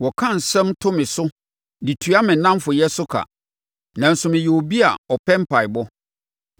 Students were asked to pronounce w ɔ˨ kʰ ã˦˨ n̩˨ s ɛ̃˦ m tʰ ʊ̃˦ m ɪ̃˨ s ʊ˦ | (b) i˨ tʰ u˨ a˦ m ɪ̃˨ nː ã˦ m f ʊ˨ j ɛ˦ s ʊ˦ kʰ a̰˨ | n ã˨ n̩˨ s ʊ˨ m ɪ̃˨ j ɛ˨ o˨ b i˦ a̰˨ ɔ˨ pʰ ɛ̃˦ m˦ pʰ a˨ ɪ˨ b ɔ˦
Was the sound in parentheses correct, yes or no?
no